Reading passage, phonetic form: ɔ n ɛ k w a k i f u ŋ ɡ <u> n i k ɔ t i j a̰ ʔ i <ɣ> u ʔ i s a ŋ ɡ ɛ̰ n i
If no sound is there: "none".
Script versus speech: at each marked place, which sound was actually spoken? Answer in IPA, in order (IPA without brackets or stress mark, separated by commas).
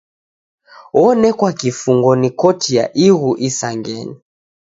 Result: ɔ, ɣ